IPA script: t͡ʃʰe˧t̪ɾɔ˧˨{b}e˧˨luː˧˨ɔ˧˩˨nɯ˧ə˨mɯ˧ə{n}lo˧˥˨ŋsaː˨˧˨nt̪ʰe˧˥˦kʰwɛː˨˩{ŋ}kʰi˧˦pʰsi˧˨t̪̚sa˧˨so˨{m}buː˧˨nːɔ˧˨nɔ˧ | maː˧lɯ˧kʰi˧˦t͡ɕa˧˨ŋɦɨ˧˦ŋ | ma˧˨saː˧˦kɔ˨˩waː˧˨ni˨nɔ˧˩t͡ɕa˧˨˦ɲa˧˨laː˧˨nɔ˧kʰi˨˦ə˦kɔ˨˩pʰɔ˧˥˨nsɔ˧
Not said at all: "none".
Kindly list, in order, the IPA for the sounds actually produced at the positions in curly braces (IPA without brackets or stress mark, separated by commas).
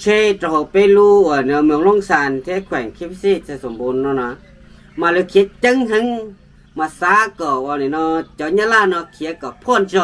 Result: p, ŋ, ŋ, m